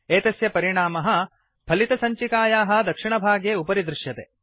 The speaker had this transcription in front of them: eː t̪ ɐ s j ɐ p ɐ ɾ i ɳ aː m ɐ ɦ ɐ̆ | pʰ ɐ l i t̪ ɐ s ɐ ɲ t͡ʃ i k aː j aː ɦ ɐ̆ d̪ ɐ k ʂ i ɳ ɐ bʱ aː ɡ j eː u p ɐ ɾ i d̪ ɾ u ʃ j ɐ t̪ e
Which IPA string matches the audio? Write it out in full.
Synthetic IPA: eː t̪ ɐ s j ɐ p ɐ ɾ i ɳ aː m ɐ ɦ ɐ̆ | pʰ ɐ l i t̪ ɐ s ɐ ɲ t͡ʃ i k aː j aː ɦ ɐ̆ d̪ ɐ k ʂ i ɳ ɐ bʱ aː ɡ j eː u p ɐ ɾ i d̪ ɾ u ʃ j ɐ t̪ e